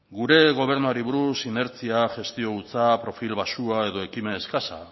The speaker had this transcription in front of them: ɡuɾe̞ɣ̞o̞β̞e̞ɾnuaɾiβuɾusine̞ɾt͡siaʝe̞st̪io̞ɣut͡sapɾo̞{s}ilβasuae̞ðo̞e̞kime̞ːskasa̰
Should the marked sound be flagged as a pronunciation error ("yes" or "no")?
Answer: yes